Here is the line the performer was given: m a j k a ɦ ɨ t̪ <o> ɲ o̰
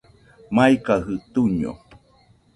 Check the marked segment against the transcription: incorrect: u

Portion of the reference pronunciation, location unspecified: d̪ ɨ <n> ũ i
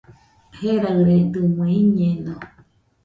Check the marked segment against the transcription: incorrect: m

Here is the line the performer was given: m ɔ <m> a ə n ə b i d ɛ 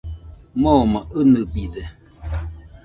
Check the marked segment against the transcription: correct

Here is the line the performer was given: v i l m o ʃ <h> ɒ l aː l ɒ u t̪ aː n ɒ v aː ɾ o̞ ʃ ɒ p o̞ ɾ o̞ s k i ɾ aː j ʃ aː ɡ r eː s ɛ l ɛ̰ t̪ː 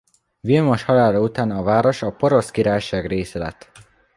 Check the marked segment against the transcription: correct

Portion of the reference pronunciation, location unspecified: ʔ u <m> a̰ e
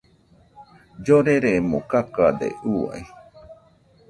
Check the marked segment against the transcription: incorrect: none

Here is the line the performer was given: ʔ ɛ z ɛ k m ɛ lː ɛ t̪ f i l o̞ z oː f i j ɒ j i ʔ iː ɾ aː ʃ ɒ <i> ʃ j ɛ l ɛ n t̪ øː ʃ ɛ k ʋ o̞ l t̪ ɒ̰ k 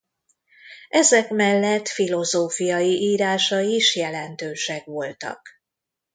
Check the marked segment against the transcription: correct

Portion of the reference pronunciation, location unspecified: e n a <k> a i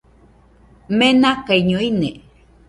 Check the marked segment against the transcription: correct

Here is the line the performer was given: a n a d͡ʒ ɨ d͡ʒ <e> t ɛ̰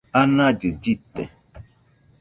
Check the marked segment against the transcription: incorrect: i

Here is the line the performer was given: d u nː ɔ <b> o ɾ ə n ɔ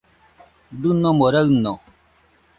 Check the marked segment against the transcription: incorrect: m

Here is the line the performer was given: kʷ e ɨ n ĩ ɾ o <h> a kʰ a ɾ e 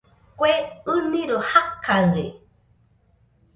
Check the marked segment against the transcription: correct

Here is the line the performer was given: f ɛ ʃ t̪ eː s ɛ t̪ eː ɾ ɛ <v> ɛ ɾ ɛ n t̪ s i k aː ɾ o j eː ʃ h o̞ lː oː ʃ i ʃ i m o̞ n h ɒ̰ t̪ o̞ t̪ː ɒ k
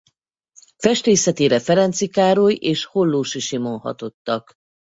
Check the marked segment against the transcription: incorrect: f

